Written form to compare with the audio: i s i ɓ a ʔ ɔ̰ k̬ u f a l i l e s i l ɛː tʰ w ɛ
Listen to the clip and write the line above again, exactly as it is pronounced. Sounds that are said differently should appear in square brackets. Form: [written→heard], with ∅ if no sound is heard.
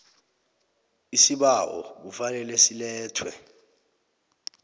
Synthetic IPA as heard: i s i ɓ a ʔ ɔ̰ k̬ u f a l [i→ɛ] l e s i l ɛː tʰ w ɛ